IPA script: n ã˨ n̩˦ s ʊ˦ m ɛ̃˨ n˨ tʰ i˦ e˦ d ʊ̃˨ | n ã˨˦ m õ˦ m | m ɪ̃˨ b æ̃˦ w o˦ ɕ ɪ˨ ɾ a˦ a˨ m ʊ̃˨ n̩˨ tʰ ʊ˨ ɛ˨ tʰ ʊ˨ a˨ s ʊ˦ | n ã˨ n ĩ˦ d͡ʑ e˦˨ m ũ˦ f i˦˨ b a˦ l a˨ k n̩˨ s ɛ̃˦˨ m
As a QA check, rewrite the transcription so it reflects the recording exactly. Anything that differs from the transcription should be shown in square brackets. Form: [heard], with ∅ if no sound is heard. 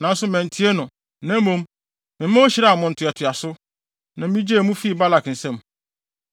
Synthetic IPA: n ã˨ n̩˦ s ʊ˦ m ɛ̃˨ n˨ tʰ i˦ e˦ [n] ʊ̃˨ | n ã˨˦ m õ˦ m | m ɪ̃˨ [m] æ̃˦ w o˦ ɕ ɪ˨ ɾ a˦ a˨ m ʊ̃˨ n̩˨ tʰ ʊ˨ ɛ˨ tʰ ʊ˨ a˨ s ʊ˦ | n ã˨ [m] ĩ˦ d͡ʑ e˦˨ m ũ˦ f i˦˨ b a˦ l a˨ k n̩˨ s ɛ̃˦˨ m